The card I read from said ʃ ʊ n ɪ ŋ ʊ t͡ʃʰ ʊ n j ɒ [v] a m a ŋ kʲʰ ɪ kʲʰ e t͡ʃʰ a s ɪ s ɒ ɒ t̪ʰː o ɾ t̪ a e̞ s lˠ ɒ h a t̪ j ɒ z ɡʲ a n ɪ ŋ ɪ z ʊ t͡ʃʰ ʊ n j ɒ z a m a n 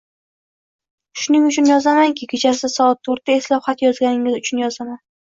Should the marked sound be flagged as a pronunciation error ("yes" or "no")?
yes